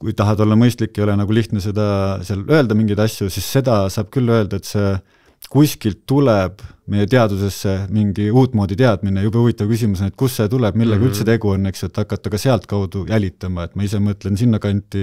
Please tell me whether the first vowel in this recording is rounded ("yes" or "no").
yes